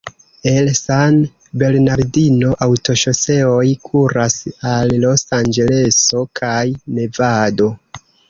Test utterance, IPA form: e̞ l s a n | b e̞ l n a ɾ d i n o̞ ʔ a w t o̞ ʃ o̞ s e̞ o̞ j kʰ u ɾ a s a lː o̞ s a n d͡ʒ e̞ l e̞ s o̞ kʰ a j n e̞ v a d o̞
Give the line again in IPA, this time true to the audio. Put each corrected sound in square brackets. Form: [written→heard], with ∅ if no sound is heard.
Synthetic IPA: e̞ l s a n | b e̞ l n a ɾ d i n o̞ ʔ a w t o̞ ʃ o̞ s e̞ o̞ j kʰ u ɾ a s a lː o̞ s a n d͡ʒ e̞ l e̞ s o̞ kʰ a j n e̞ v a d o̞